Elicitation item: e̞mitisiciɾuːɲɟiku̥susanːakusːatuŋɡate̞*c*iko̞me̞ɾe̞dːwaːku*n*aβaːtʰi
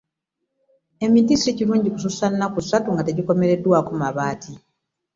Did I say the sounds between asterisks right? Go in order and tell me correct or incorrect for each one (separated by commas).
incorrect, incorrect